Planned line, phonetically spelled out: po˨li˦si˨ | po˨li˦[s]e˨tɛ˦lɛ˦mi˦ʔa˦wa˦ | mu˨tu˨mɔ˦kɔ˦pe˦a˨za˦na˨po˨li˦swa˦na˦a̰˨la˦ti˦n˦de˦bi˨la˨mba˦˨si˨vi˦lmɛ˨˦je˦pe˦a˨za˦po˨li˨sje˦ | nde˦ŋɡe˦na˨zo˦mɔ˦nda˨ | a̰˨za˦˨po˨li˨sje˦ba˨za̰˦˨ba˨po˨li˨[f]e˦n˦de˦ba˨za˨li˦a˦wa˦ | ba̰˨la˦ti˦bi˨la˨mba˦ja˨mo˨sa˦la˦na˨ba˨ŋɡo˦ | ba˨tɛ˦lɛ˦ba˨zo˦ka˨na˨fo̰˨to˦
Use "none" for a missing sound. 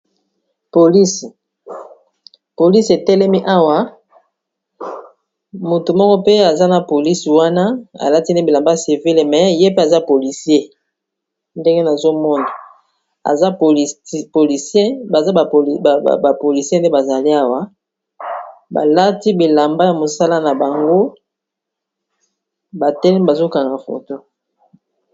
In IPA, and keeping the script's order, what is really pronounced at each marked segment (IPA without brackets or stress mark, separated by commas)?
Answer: s, s